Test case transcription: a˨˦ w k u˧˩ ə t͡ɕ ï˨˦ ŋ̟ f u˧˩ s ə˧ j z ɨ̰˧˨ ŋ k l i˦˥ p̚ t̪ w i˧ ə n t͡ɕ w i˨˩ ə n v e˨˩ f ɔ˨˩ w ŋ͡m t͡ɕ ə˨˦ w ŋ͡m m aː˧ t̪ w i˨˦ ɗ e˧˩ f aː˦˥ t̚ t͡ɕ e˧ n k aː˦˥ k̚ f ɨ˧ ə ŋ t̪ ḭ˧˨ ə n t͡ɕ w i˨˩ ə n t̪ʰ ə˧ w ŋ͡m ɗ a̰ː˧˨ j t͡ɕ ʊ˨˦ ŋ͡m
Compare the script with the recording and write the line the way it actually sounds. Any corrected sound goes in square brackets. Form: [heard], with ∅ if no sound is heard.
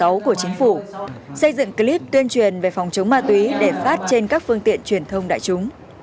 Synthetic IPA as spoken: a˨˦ w k u˧˩ ə t͡ɕ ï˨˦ ŋ̟ f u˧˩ s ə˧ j z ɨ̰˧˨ ŋ k l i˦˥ p̚ t̪ w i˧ ə n t͡ɕ w i˨˩ ə n v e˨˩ f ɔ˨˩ w ŋ͡m t͡ɕ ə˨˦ w ŋ͡m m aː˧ t̪ w i˨˦ ɗ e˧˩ f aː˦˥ t̚ t͡ɕ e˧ n k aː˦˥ k̚ f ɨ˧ ə ŋ t̪ ḭ˧˨ ə n t͡ɕ w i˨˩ ə n t̪ʰ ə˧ w ŋ͡m ɗ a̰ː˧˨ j t͡ɕ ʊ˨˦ ŋ͡m

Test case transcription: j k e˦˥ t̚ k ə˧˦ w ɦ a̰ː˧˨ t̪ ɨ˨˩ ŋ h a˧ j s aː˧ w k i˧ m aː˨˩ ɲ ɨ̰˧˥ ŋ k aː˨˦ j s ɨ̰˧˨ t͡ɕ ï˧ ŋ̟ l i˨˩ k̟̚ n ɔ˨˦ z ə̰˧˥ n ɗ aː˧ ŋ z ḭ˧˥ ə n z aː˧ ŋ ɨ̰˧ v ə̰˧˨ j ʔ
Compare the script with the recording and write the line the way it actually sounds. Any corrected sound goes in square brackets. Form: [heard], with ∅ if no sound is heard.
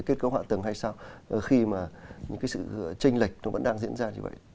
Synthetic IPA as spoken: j k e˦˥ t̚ k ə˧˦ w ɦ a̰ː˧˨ t̪ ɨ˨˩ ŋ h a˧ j s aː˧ w [x] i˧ m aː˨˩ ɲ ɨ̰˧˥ ŋ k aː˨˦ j s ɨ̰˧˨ t͡ɕ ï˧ ŋ̟ l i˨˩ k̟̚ n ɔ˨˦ [v] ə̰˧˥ n ɗ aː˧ ŋ z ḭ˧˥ ə n z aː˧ [ɲ] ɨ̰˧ v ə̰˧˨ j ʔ

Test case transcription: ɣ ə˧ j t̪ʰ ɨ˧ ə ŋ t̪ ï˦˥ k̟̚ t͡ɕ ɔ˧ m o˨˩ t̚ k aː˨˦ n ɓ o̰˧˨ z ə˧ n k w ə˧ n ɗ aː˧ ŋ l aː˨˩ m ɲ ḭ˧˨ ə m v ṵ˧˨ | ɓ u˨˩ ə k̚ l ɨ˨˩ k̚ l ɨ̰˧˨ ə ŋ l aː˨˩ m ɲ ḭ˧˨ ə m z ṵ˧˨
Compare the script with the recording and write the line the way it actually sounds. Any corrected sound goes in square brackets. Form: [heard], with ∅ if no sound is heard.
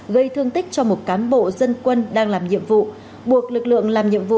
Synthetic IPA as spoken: ɣ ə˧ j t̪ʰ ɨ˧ ə ŋ t̪ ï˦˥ k̟̚ t͡ɕ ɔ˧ m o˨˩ t̚ k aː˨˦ n ɓ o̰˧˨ z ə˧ n k w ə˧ n ɗ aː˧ ŋ l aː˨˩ m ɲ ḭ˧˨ ə m v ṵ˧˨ | ɓ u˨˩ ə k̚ l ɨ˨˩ k̚ l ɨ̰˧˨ ə ŋ l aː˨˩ m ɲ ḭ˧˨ ə m [v] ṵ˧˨

